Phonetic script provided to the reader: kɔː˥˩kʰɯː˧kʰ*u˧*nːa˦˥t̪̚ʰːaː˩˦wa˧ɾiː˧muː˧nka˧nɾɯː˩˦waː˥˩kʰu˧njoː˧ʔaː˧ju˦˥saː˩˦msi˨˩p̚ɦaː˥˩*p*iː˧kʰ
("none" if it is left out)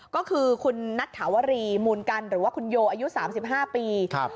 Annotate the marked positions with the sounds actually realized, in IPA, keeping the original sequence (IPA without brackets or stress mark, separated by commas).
u˧, p